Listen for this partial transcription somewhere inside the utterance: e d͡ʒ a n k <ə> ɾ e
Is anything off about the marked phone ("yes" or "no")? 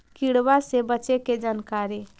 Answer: yes